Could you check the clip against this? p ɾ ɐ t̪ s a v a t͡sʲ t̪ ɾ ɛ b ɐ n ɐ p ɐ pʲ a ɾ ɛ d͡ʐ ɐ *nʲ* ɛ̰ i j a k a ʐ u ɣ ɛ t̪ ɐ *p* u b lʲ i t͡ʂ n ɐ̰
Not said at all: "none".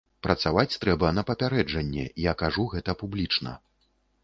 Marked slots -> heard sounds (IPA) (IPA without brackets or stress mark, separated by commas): nʲː, p